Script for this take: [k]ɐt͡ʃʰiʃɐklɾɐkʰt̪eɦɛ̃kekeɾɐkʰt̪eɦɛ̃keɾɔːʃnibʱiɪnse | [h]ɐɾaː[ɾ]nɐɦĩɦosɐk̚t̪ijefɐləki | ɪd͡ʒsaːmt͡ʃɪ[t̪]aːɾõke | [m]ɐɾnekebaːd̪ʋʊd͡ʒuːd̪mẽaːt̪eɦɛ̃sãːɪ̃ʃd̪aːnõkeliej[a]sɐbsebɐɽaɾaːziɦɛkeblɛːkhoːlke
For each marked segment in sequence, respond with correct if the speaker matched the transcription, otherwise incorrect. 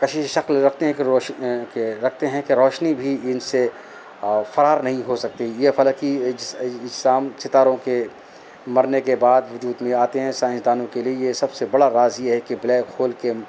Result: correct, incorrect: f, correct, correct, correct, incorrect: e

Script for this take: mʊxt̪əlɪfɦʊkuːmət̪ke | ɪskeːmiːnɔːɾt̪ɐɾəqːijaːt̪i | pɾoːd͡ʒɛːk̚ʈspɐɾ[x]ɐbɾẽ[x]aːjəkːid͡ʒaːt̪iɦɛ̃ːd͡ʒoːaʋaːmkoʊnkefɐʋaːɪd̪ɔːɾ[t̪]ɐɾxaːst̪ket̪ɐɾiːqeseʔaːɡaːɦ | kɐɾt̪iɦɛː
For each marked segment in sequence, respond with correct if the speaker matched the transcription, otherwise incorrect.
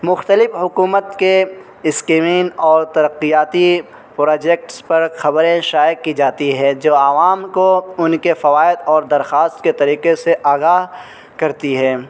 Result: correct, incorrect: ʃ, incorrect: d̪

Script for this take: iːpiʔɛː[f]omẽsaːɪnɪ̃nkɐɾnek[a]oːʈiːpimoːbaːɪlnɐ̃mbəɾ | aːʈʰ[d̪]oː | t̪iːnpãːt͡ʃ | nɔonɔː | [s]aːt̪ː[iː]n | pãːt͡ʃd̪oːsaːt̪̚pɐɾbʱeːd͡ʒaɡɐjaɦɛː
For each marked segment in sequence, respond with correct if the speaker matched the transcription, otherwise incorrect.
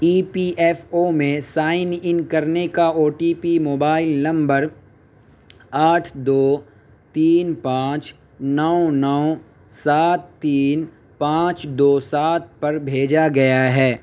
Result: correct, correct, correct, correct, correct

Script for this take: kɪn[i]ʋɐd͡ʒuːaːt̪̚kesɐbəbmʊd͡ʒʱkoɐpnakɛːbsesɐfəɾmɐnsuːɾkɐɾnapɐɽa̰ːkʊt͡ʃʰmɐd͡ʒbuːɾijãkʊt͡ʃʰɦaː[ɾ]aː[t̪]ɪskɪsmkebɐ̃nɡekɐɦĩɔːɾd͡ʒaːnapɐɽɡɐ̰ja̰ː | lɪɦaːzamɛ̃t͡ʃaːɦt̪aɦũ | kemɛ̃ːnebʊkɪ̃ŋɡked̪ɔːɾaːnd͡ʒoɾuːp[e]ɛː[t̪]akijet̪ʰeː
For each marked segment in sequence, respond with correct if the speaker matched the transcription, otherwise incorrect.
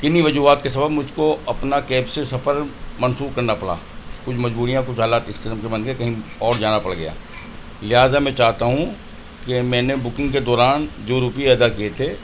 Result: correct, incorrect: l, correct, incorrect: i, incorrect: d̪

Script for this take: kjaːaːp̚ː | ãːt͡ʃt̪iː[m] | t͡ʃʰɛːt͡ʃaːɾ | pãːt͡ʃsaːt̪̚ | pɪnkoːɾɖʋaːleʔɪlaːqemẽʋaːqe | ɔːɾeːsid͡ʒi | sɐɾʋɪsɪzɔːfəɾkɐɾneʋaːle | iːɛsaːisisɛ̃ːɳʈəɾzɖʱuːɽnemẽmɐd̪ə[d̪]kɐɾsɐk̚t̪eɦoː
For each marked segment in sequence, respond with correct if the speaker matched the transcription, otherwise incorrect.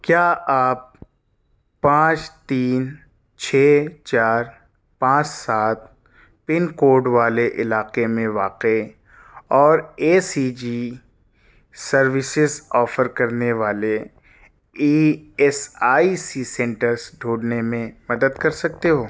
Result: incorrect: n, correct

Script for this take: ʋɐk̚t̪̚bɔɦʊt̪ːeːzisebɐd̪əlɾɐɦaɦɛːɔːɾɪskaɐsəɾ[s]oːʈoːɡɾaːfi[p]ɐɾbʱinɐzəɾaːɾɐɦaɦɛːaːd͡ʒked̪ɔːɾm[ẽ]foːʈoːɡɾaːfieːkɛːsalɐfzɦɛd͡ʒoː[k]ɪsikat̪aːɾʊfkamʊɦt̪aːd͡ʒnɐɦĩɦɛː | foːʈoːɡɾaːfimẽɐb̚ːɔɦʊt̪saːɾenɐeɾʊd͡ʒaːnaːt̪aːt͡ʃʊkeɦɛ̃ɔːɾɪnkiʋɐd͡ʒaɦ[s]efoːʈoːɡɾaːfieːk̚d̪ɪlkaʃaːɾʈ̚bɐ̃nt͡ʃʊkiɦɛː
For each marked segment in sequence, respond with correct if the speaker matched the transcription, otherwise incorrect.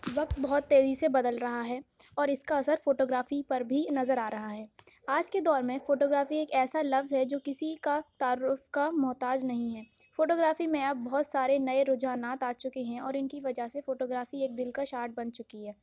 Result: incorrect: f, correct, correct, correct, correct

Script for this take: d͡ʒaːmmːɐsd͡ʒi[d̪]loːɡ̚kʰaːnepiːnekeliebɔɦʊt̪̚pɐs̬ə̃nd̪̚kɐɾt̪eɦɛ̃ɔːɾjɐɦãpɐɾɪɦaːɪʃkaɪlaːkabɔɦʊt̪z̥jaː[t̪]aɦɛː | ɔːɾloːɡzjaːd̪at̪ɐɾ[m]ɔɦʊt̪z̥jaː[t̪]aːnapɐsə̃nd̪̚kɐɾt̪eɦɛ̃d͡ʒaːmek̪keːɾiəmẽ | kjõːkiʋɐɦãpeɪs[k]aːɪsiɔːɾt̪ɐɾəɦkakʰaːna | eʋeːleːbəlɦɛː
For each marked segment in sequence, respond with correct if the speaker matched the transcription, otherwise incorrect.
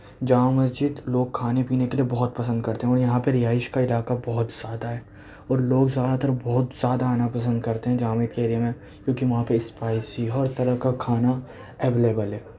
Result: correct, incorrect: d̪, incorrect: b, incorrect: d̪, incorrect: p

